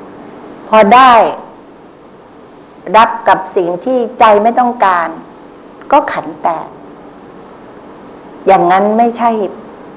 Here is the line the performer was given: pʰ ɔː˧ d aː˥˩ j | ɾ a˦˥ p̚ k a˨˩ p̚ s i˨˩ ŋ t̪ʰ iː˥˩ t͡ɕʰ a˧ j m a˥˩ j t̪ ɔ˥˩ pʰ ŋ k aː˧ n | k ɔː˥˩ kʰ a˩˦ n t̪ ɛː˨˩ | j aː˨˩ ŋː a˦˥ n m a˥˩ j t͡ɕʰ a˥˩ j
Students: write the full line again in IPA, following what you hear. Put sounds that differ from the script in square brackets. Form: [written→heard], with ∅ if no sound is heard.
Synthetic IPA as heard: pʰ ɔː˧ d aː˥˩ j | ɾ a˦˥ p̚ k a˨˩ p̚ s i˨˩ ŋ t̪ʰ iː˥˩ [t͡ɕʰ→t͡ɕ] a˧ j m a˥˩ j t̪ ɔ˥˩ [pʰ→∅] ŋ k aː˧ n | k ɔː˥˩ kʰ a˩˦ n t̪ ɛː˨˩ | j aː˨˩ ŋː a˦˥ n m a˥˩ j t͡ɕʰ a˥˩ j